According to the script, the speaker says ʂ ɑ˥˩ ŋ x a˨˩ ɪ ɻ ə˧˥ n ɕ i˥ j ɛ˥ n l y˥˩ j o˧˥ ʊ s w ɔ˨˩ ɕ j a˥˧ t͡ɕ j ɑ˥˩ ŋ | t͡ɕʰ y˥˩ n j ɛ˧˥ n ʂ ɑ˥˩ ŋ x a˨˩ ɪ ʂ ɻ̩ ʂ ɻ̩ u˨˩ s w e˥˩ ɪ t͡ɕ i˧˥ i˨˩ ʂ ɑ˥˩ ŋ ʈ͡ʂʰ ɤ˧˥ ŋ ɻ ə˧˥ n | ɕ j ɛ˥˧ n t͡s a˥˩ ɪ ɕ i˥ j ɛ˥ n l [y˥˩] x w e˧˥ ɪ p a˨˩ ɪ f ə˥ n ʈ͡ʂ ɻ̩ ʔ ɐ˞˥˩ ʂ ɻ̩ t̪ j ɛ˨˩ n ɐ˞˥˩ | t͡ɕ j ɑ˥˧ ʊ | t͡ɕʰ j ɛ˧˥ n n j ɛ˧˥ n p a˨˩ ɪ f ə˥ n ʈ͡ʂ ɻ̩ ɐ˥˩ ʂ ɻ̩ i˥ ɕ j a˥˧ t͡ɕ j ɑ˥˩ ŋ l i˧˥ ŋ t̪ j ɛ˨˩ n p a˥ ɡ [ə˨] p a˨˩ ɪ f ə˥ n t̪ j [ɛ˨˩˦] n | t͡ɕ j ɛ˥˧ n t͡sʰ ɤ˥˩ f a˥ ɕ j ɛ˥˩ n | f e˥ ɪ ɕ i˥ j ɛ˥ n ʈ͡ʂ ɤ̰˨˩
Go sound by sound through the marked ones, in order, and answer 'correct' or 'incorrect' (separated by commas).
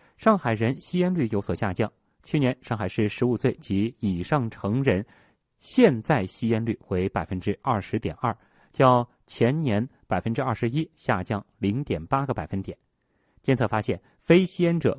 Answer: correct, correct, correct